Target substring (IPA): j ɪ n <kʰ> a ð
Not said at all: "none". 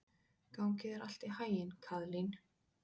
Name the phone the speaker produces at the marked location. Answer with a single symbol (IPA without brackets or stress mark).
kʰ